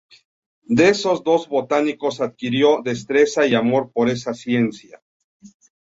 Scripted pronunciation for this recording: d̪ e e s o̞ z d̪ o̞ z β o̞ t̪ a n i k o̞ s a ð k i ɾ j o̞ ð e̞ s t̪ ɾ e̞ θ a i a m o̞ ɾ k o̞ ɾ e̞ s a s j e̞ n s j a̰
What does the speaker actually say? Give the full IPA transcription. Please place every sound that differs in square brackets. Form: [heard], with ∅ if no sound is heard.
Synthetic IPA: d̪ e e s o̞ z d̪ o̞ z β o̞ t̪ a n i k o̞ s a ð k i ɾ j o̞ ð e̞ s t̪ ɾ e̞ [s] a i a m o̞ ɾ [p] o̞ ɾ e̞ s a s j e̞ n s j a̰

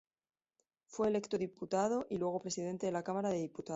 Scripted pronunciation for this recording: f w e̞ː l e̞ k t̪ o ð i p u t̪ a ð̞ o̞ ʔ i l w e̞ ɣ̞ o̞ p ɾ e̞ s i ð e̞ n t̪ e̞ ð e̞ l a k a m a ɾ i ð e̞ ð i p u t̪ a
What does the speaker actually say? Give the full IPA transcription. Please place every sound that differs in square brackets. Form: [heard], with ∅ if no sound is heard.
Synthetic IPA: f w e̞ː l e̞ k t̪ o ð i p u t̪ a ð̞ o̞ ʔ i l w e̞ ɣ̞ o̞ p ɾ e̞ s i ð e̞ n t̪ e̞ ð e̞ l a k a m a ɾ [a] ð e̞ ð i p u t̪ a

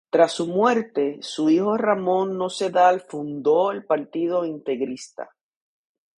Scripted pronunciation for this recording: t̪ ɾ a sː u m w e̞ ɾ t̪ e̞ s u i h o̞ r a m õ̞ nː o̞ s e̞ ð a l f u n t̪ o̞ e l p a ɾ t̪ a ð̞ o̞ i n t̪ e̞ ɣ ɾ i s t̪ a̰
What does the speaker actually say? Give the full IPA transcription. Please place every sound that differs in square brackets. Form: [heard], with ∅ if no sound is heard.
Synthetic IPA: t̪ ɾ a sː u m w e̞ ɾ t̪ e̞ s u i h o̞ r a m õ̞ nː o̞ s e̞ ð a l f u n [d̪] o̞ e l p a ɾ t̪ [i] ð̞ o̞ i n t̪ e̞ ɣ ɾ i s t̪ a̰

